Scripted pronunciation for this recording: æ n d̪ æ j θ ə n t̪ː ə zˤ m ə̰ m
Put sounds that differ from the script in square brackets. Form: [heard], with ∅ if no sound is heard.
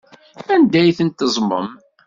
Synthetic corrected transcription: æ n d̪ æ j θ ə n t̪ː ə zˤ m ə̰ m